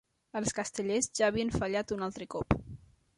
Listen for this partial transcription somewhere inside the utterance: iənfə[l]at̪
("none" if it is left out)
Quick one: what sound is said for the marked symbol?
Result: ʎ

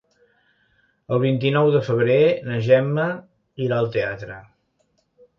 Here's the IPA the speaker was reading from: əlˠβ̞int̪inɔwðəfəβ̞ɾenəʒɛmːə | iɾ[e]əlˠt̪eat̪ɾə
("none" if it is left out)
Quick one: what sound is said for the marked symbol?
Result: a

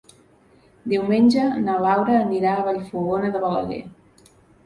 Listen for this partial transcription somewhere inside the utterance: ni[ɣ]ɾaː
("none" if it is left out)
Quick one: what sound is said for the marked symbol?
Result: none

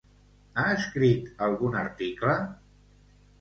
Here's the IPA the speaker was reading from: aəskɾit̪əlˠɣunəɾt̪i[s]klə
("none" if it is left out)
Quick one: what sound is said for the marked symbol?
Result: none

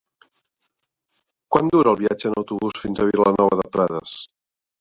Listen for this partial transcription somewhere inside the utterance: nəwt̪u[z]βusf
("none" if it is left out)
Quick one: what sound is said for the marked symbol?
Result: none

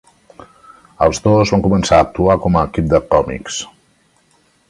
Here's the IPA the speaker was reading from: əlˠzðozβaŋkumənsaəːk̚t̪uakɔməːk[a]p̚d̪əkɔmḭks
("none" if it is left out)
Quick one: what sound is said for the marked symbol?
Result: i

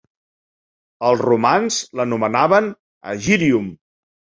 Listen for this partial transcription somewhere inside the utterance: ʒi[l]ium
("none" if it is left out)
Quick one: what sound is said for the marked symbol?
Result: ɾ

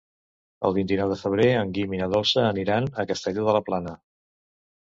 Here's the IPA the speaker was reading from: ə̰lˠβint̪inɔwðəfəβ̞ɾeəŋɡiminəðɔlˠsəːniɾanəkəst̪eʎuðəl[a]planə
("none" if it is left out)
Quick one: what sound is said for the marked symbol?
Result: ə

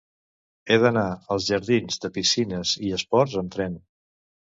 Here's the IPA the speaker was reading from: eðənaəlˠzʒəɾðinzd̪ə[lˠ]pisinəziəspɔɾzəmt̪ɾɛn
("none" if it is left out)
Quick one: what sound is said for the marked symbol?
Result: none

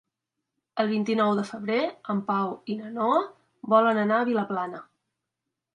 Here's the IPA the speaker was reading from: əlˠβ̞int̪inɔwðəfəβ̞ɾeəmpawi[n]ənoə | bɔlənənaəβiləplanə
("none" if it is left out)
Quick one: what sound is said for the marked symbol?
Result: n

